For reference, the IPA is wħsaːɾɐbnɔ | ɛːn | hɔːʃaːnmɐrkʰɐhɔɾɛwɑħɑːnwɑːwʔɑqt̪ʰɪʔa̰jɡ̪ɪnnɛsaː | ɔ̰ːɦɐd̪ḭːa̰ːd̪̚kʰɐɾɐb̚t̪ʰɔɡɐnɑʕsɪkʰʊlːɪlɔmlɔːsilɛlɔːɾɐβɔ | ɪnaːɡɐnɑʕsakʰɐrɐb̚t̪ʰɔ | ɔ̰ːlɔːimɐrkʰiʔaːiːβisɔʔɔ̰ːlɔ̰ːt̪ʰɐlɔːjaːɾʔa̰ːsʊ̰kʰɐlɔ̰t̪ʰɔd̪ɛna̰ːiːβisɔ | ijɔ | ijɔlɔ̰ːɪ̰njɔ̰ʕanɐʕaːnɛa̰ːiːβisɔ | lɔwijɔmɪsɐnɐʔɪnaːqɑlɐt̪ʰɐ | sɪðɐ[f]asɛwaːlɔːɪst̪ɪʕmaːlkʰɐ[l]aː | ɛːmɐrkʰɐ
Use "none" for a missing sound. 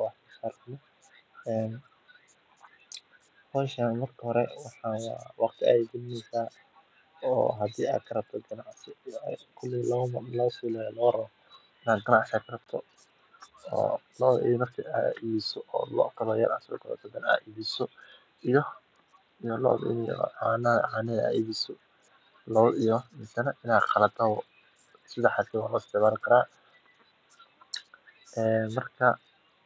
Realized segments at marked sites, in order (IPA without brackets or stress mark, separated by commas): ħ, ɾ